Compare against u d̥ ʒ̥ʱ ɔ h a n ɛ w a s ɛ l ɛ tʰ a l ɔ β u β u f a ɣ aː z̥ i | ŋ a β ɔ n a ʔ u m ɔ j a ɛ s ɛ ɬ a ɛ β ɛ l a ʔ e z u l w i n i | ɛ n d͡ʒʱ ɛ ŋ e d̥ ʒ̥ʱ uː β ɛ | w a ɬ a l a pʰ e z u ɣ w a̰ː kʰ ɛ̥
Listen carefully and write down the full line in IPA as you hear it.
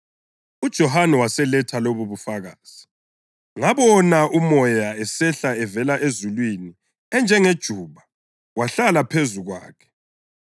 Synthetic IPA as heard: u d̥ ʒ̥ʱ ɔ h a n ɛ w a s ɛ l ɛ tʰ a l o β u β u f a ɣ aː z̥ i | ŋ a β ɔ n a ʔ u m ɔ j a ɛ s ɛ ɬ a ɛ v ɛ l a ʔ e z u l w i n i | ɛ n d͡ʒʱ ɛ ŋ e d̥ ʒ̥ʱ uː β a | w a ɬ a l a pʰ e z u ɣ w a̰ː kʰ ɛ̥